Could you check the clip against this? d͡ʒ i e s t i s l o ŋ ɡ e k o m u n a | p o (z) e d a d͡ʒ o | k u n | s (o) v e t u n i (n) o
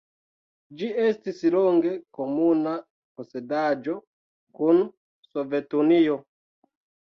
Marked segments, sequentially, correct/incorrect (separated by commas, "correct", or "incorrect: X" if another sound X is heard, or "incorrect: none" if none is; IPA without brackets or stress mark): incorrect: s, correct, incorrect: none